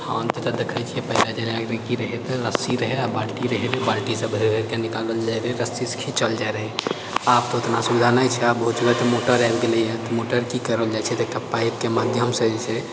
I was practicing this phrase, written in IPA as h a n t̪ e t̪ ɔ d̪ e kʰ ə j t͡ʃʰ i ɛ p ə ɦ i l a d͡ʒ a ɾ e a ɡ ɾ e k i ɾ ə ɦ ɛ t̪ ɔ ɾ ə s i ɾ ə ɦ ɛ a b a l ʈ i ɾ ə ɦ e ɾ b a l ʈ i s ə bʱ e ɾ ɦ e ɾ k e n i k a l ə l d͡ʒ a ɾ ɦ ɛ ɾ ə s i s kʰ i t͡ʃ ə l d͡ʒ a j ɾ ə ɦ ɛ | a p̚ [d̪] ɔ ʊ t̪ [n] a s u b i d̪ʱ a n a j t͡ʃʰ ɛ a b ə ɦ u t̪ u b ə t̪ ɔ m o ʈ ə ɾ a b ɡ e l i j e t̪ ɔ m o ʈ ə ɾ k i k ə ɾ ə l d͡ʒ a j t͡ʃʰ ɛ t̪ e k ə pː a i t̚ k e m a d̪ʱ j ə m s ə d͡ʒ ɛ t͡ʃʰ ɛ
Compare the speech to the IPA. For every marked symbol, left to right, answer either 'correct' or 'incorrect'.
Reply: incorrect, correct

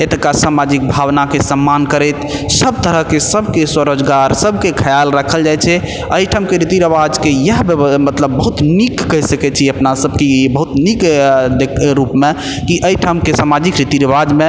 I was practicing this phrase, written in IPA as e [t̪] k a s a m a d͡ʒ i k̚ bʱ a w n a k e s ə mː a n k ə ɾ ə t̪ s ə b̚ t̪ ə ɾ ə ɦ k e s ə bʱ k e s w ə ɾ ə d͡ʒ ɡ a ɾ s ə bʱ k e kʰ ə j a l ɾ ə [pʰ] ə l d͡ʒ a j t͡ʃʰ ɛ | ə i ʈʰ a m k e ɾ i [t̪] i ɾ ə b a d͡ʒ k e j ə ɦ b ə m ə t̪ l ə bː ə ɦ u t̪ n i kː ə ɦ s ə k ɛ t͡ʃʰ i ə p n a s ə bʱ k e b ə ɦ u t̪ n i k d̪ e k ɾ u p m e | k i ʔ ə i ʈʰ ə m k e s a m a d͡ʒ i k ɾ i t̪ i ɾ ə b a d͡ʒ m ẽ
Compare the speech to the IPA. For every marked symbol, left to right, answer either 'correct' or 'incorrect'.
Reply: correct, incorrect, correct

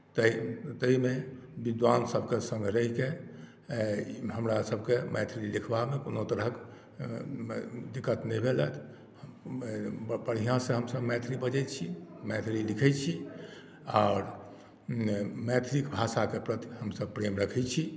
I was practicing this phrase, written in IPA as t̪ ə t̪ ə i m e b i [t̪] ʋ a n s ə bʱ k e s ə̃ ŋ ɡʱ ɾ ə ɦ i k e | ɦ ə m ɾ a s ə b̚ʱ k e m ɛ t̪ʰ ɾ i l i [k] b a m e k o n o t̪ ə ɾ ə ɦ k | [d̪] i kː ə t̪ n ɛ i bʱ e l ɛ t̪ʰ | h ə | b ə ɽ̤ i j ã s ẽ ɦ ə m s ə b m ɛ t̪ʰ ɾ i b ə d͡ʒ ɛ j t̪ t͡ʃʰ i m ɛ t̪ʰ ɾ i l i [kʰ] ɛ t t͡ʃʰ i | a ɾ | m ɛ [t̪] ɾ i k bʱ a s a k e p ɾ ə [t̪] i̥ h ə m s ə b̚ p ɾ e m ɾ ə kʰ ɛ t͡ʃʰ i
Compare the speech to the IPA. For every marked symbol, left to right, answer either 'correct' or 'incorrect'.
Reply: incorrect, incorrect, correct, correct, incorrect, correct

